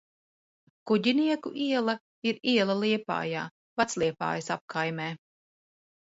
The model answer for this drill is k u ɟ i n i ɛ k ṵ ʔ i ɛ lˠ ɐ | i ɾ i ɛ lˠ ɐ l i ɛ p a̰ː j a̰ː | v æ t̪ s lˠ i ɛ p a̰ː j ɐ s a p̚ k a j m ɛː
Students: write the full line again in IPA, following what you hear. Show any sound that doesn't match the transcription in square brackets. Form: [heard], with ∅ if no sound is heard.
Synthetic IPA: k u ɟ i n i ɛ k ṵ ʔ i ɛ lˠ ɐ | i ɾ i ɛ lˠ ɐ l i ɛ p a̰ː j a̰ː | v [a] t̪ s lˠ i ɛ p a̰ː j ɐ s a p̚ k a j m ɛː